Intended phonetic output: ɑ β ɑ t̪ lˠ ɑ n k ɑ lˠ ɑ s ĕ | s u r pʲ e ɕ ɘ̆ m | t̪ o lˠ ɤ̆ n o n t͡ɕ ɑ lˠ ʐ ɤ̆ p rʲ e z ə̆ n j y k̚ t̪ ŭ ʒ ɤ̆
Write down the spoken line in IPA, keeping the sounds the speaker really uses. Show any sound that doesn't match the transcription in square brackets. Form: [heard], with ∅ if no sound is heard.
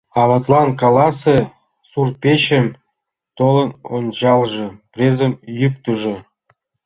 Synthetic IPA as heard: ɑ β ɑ t̪ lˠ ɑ n k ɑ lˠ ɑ s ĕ | s u r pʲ e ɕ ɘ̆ m | t̪ o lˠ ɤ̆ n o n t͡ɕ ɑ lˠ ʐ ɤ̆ p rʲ e z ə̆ [m] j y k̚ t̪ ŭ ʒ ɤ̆